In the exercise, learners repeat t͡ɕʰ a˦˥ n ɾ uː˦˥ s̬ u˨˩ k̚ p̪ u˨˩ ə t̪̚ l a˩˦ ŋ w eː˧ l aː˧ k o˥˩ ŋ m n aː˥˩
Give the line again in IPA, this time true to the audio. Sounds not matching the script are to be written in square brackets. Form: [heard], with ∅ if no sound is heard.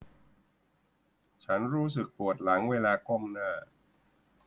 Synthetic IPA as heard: t͡ɕʰ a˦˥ n ɾ uː˦˥ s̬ [ɯ˨˩] k̚ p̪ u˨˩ ə t̪̚ l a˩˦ ŋ w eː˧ l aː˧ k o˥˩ [∅] m n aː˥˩